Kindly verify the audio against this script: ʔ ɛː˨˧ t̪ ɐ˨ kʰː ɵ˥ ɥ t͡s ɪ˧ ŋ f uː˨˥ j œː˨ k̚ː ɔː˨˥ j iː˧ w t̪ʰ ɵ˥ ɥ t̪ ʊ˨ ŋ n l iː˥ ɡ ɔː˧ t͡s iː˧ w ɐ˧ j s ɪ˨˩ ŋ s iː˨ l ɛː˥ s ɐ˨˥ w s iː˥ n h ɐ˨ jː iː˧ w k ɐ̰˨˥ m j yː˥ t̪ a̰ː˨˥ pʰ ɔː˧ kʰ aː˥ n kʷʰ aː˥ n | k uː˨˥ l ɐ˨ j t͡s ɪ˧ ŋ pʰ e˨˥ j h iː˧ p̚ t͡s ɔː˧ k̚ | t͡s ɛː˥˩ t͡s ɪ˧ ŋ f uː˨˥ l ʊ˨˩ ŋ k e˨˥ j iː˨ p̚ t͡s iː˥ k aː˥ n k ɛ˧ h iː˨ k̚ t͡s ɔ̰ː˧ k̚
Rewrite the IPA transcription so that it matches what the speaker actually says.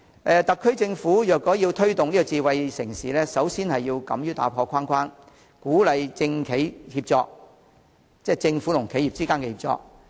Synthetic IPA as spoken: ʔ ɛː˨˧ t̪ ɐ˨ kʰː ɵ˥ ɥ t͡s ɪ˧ ŋ f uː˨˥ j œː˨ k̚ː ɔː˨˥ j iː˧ w t̪ʰ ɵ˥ ɥ t̪ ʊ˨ ŋ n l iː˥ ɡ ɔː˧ t͡s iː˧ w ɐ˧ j s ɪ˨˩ ŋ s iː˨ l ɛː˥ s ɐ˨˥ w s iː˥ n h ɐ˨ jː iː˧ w k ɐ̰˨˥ m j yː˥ t̪ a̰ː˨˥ pʰ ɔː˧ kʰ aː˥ n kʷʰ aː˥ n | k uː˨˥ l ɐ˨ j t͡s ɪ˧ ŋ kʰ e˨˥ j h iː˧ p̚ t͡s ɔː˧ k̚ | t͡s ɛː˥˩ t͡s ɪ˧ ŋ f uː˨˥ l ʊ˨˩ ŋ kʰ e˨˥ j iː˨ p̚ t͡s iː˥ k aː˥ n k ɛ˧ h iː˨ p̚ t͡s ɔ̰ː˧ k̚

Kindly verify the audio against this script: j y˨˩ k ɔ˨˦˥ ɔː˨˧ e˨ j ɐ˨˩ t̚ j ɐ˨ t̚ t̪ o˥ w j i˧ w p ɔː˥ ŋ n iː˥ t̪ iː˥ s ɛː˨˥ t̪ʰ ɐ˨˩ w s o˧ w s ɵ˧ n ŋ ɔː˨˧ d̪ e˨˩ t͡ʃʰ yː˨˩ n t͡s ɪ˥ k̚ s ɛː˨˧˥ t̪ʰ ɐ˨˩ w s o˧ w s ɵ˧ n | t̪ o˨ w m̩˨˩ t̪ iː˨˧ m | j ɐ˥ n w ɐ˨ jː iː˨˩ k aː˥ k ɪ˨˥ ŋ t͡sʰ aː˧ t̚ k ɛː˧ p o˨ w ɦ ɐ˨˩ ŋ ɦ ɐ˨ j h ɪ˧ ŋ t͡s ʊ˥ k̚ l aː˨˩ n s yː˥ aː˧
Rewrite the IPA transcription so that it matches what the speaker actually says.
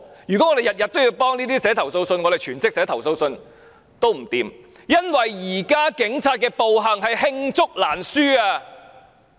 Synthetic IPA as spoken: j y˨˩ k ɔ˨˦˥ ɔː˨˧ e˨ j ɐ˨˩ t̚ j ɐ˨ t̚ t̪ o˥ w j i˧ w p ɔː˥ ŋ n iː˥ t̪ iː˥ s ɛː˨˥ t̪ʰ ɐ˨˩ w s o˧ w s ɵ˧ n ŋ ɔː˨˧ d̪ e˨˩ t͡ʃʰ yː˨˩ n t͡s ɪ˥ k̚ s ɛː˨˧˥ t̪ʰ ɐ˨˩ w s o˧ w s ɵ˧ n | t̪ o˥ w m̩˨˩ t̪ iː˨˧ m | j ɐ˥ n w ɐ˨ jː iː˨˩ k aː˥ k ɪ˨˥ ŋ t͡sʰ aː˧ t̚ k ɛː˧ p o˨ w ɦ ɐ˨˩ ŋ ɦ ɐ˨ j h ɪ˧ ŋ t͡s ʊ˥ k̚ l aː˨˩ n s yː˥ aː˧

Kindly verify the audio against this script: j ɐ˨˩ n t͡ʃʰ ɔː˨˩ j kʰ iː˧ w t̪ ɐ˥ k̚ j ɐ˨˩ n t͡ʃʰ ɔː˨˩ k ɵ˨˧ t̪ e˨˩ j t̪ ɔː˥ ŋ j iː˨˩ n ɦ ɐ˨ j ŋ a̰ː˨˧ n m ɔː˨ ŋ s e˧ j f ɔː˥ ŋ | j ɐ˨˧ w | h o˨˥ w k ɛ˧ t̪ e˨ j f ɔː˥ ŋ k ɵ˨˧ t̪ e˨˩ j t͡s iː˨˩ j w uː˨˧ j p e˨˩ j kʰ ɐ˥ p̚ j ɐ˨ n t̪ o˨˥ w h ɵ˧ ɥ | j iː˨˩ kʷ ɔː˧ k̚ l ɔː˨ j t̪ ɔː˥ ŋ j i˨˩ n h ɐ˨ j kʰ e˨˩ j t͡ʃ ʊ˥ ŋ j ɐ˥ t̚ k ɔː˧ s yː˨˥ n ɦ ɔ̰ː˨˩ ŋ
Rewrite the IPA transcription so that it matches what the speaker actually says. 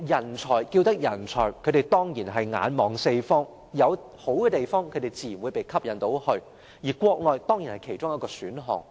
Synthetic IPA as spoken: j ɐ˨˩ n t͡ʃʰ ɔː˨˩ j k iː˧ w t̪ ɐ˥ k̚ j ɐ˨˩ n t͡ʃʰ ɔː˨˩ kʰ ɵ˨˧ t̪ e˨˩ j t̪ ɔː˥ ŋ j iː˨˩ n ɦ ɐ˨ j ŋ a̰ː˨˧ n m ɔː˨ ŋ s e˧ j f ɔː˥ ŋ | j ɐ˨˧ w | h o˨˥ w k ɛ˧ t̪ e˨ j f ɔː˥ ŋ kʰ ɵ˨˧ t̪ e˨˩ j t͡s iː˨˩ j w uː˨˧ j p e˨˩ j kʰ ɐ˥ p̚ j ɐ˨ n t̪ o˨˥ w h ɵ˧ ɥ | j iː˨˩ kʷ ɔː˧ k̚ l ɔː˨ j t̪ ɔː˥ ŋ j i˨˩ n h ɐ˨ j kʰ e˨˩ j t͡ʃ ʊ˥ ŋ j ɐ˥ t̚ k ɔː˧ s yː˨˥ n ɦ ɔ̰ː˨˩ ŋ

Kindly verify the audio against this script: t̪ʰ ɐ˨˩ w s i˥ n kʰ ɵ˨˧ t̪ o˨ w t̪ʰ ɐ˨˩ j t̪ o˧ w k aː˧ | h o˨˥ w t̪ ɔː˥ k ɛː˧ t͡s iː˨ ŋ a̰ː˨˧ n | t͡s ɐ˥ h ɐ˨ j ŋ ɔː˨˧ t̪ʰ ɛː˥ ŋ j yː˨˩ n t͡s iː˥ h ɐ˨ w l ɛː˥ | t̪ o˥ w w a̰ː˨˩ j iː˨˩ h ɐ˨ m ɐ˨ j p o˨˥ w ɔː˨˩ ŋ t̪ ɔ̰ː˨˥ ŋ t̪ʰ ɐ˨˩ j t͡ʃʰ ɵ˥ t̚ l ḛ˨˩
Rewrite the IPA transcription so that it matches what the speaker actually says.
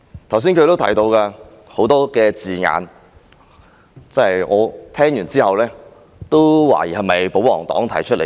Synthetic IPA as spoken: t̪ʰ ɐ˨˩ w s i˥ n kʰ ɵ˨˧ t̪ o˥ w t̪ʰ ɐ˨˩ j t̪ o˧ w k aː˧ | h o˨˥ w t̪ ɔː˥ k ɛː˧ t͡s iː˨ ŋ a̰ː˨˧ n | t͡s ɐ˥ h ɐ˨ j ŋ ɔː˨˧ t̪ʰ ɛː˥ ŋ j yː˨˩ n t͡s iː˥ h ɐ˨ w l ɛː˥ | t̪ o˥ w w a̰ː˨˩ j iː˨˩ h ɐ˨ m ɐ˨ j p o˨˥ w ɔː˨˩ ŋ t̪ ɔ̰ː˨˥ ŋ t̪ʰ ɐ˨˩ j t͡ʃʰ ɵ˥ t̚ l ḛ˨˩

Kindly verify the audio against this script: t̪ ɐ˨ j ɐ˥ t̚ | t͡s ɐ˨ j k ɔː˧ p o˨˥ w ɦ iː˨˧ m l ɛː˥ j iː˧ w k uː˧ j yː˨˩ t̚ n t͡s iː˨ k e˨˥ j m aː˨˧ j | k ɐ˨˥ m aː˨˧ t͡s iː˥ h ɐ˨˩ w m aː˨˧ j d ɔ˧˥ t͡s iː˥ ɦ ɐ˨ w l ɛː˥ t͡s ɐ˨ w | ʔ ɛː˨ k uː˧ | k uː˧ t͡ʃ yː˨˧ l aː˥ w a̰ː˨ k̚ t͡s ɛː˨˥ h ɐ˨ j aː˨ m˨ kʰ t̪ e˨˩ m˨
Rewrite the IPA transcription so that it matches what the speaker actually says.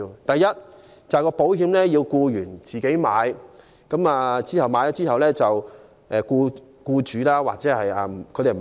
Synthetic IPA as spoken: t̪ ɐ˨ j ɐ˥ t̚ | t͡s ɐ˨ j k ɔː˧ p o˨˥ w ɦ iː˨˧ m l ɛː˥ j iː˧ w k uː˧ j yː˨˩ n t͡s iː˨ k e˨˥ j m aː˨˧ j | k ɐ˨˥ m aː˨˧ t͡s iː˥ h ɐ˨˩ w m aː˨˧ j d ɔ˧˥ t͡s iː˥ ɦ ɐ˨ w l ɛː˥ t͡s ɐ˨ w | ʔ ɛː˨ k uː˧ | k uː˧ t͡ʃ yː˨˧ l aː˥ w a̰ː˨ k̚ t͡s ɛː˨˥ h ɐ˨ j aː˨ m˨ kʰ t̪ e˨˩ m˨

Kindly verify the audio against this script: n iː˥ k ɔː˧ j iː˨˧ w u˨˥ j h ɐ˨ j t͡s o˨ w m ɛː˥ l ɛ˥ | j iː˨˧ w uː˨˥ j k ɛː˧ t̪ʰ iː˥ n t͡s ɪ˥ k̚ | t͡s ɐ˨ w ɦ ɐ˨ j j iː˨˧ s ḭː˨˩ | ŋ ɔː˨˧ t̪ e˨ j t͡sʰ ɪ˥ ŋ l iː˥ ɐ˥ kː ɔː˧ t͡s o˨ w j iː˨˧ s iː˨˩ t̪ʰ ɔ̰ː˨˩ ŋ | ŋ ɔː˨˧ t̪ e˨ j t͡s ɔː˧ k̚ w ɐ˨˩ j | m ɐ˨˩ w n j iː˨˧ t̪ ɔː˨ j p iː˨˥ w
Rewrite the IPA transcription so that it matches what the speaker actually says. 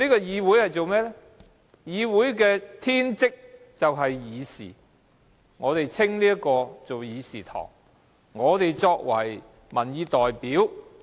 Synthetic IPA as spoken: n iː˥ k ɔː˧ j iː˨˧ w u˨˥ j h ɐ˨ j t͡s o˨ w m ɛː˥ l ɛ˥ | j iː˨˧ w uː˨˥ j k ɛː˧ t̪ʰ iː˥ n t͡s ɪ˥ k̚ | t͡s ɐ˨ w ɦ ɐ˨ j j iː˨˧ s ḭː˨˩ | ŋ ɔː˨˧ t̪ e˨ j t͡sʰ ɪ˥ ŋ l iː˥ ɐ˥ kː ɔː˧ t͡s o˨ w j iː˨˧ s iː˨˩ t̪ʰ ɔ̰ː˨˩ ŋ | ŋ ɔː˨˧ t̪ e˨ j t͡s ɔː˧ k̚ w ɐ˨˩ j | m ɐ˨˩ n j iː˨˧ t̪ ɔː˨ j p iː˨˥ w

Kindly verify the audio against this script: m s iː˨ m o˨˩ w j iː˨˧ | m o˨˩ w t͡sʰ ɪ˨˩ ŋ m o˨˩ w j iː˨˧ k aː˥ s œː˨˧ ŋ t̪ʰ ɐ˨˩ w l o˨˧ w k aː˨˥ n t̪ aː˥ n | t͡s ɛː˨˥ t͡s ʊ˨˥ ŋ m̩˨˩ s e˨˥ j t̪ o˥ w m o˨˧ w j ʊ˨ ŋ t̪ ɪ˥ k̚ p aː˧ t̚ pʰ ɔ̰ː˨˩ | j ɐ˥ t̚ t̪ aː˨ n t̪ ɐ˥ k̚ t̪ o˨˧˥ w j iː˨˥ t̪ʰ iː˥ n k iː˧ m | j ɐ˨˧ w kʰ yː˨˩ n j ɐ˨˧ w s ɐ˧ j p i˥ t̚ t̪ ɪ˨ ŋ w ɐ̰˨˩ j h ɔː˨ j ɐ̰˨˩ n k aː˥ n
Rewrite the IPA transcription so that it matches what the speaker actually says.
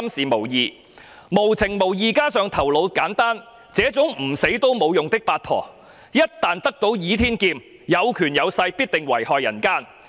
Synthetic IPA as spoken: m s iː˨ m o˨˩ w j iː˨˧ | m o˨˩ w t͡sʰ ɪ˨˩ ŋ m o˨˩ w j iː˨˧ k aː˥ s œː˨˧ ŋ t̪ʰ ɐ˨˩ w l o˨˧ w k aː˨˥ n t̪ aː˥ n | t͡s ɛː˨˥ t͡s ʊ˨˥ ŋ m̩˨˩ s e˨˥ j t̪ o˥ w m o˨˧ w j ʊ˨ ŋ t̪ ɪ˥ k̚ p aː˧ t̚ pʰ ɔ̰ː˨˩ | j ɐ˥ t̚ t̪ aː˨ n t̪ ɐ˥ k̚ t̪ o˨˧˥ w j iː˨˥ t̪ʰ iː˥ n k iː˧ m | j ɐ˨˧ w kʰ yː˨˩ n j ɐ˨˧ w s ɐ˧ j p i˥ t̚ t̪ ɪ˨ ŋ w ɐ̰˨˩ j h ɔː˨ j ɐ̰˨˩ n k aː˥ n

